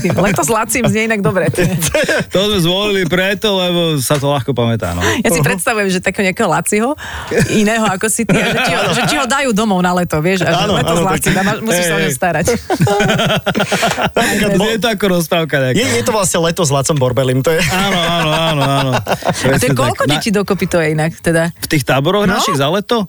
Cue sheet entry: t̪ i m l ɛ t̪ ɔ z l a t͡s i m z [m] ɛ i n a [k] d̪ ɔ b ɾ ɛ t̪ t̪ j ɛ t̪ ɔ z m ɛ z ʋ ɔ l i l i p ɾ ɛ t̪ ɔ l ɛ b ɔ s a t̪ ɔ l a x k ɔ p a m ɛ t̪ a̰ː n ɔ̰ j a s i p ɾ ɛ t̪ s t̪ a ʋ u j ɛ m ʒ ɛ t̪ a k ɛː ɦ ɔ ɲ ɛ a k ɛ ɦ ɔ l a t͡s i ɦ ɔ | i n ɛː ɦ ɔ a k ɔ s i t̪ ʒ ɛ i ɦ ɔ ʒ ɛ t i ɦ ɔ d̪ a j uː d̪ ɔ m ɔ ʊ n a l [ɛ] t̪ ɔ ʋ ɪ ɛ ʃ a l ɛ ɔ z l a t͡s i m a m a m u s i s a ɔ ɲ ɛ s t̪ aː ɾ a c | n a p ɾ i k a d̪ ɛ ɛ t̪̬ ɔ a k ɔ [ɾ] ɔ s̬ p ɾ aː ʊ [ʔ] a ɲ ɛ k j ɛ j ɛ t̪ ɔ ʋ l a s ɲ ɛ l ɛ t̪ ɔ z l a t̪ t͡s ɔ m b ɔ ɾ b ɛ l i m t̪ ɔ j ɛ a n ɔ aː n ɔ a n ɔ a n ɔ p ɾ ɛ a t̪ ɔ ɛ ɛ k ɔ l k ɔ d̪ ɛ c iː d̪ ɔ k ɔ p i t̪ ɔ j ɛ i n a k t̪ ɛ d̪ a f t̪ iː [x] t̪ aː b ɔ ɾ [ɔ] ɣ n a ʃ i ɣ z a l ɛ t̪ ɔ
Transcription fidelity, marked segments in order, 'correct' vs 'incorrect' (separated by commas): incorrect, incorrect, correct, correct, incorrect, correct, correct